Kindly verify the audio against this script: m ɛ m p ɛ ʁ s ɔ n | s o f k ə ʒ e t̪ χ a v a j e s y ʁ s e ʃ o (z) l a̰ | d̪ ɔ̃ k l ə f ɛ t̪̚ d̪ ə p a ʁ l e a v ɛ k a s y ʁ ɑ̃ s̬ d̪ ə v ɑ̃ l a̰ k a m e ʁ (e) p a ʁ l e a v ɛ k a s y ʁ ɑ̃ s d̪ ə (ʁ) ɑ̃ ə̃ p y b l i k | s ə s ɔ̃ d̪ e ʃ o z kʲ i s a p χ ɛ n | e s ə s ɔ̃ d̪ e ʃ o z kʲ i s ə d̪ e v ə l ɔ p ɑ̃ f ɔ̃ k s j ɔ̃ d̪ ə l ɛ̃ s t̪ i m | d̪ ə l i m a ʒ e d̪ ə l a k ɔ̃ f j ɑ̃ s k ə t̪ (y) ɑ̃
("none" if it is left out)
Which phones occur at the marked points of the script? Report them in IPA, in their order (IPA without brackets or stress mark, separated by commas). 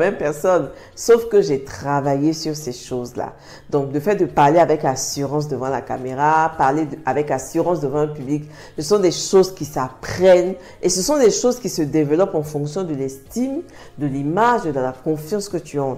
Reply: z, a, v, y